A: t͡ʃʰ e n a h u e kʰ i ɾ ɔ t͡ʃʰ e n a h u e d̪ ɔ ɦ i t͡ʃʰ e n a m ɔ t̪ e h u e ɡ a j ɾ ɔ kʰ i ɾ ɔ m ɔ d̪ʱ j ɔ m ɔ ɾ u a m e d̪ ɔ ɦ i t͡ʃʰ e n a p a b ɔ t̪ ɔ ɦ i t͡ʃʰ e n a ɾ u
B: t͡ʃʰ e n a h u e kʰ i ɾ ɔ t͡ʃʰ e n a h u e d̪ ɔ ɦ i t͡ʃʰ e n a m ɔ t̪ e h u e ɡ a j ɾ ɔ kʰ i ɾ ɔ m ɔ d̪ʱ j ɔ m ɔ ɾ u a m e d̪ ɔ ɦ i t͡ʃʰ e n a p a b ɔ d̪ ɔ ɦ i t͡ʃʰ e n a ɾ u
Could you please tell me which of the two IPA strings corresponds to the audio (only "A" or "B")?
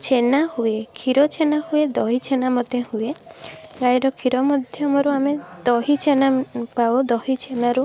B